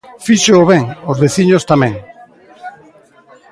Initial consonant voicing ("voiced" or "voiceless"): voiceless